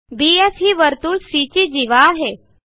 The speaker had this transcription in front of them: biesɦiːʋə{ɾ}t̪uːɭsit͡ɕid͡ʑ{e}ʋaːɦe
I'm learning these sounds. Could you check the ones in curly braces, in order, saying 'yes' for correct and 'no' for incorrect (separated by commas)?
yes, no